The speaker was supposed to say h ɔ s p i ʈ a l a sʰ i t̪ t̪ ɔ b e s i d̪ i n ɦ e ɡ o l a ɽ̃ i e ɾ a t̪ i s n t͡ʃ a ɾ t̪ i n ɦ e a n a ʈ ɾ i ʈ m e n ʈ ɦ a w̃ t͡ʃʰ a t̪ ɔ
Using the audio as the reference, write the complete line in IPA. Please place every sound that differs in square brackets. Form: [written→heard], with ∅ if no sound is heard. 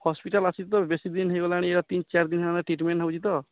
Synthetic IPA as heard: h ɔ s p i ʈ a l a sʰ i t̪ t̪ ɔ b e s i d̪ i n ɦ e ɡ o l a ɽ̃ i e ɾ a t̪ i [s→∅] n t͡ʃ a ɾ [t̪→d̪] i n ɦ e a n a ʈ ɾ i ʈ m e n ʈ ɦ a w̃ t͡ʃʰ [a→i] t̪ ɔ